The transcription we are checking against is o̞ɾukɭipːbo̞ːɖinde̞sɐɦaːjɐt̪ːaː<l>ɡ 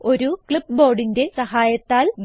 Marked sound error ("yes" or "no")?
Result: no